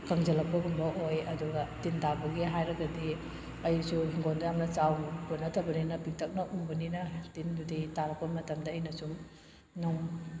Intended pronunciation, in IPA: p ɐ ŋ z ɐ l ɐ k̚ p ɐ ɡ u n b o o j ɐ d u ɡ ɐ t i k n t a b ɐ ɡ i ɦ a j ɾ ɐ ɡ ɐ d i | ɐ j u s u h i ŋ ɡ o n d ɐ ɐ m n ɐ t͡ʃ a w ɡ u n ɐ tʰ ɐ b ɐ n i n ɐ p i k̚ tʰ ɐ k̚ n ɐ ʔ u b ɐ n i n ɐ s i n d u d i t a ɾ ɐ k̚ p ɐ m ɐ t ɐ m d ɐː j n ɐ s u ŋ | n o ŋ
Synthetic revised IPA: k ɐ ŋ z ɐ l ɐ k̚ p ɐ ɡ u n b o o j ɐ d u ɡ ɐ t i n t a b ɐ ɡ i ɦ a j ɾ ɐ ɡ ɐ d i | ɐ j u s u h i ŋ ɡ o n d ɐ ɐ m n ɐ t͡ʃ a w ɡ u n ɐ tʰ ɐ b ɐ n i n ɐ p i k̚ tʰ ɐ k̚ n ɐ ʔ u b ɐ n i n ɐ t i n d u d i t a ɾ ɐ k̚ p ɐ m ɐ t ɐ m d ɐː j n ɐ s u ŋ | n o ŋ